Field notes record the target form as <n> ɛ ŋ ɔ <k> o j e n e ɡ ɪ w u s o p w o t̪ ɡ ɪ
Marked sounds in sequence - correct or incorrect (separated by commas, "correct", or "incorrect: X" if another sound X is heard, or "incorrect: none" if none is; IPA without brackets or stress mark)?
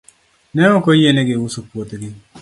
correct, correct